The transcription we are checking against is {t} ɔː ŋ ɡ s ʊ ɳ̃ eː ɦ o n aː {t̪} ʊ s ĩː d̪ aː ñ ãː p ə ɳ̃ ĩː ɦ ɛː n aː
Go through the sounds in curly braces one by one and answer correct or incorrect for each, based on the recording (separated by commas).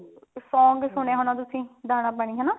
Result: incorrect, correct